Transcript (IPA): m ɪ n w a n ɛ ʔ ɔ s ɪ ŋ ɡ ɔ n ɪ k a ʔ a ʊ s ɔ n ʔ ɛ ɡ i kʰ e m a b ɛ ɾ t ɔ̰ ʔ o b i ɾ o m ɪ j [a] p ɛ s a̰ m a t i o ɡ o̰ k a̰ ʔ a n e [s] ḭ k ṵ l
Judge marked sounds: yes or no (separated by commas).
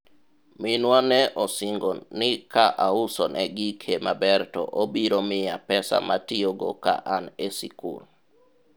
yes, yes